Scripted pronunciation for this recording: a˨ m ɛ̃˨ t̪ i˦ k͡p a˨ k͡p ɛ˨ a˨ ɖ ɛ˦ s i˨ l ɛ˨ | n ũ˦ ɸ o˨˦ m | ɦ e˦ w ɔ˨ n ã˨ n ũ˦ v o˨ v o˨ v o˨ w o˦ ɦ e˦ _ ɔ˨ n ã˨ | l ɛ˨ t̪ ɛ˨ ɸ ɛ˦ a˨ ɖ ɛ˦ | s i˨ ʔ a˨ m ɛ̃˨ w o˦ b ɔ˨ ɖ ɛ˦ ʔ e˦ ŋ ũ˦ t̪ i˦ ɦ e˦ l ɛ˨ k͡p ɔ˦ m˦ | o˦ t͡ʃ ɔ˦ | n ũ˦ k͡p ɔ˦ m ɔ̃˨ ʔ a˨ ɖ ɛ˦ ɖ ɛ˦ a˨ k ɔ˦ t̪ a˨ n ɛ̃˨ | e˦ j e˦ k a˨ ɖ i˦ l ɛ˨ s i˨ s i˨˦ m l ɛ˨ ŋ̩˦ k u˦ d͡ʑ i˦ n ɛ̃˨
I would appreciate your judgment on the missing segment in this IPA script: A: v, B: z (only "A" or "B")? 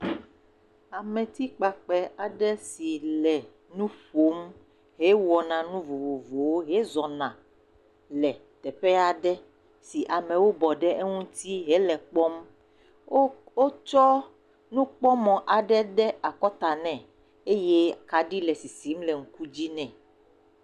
B